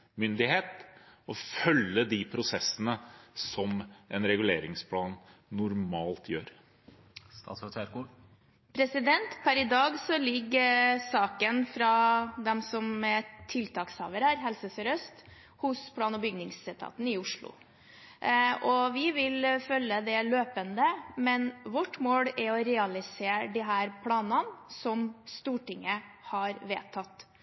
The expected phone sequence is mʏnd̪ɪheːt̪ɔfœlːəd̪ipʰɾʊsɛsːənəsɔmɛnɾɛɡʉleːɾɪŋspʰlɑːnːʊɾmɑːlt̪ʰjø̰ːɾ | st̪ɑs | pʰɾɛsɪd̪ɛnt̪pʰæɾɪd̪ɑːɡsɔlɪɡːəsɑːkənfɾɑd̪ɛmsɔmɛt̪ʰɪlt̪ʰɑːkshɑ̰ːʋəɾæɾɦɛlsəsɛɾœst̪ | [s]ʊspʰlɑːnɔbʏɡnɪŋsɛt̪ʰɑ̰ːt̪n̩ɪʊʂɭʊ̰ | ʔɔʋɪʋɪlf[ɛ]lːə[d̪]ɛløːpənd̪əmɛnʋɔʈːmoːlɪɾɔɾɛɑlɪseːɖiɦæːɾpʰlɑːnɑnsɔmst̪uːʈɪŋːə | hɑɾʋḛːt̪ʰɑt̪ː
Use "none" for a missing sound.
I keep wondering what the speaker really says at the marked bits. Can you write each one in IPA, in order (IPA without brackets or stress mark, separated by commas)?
h, œ, d̪